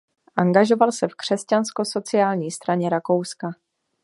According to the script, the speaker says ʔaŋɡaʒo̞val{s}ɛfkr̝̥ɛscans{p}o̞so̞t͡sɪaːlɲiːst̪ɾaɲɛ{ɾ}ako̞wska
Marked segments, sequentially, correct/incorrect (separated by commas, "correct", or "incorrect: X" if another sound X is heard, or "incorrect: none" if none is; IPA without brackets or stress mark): correct, incorrect: k, correct